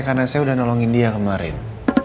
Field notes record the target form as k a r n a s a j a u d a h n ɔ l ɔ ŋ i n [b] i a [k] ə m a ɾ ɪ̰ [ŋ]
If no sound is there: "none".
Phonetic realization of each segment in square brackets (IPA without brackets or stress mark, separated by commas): d, k, n